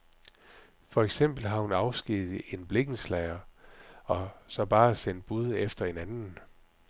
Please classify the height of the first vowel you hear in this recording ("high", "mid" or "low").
low